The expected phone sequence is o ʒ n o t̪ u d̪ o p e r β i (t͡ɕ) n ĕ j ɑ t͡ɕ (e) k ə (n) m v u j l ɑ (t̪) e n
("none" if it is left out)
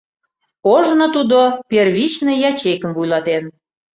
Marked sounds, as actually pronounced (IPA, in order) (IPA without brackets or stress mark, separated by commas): t͡ɕ, e, none, t̪